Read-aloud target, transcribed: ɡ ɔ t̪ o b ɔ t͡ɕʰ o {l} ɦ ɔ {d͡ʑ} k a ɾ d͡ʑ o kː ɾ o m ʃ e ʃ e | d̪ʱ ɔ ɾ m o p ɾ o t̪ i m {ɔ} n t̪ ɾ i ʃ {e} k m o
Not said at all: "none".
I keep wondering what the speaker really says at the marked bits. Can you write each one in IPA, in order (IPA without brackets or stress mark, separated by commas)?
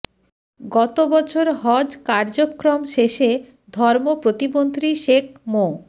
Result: ɾ, d͡ʑ, o, e